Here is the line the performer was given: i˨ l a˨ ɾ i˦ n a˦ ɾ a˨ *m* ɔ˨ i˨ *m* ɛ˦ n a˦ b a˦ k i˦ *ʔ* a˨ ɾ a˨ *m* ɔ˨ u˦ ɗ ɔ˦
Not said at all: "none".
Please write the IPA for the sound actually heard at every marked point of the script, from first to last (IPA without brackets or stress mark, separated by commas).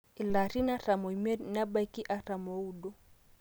m, m, ʔ, m